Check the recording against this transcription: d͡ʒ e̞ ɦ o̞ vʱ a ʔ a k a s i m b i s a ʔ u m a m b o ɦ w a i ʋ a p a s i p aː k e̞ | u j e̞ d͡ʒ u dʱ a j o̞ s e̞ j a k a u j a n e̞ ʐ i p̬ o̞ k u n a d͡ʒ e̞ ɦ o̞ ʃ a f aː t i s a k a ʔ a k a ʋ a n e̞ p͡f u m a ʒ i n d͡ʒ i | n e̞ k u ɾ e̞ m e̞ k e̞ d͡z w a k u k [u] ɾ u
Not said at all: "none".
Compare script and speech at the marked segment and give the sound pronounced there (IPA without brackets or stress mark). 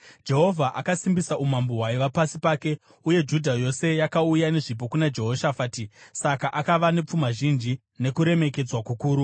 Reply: uː